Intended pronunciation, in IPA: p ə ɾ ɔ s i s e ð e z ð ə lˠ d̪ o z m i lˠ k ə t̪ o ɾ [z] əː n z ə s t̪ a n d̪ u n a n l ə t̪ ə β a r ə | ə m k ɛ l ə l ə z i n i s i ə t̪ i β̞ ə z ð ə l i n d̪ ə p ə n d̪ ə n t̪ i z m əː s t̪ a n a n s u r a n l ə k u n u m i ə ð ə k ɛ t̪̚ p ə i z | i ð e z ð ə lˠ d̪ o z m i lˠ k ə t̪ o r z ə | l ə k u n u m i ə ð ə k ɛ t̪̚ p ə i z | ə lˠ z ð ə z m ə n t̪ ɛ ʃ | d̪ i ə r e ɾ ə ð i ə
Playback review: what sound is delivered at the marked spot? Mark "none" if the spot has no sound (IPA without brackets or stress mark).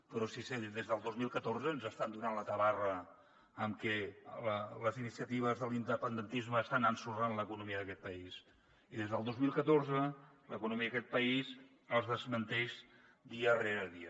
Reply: z